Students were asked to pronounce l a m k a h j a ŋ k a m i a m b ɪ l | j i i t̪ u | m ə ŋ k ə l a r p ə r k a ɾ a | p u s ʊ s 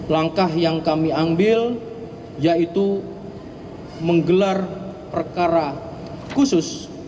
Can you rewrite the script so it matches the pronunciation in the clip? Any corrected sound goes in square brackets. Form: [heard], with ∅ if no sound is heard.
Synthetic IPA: l a [ŋ] k a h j a ŋ k a m i a m b ɪ l | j [a] i t̪ u | m ə ŋ [ɡ] ə l a r p ə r k a ɾ a | [k] u s ʊ s